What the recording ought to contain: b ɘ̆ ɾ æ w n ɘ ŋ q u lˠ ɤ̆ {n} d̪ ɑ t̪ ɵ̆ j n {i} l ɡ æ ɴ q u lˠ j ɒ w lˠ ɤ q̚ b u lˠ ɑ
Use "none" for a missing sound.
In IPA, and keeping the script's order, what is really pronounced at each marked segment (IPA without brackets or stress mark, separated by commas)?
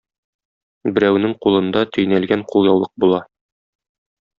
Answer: n, æ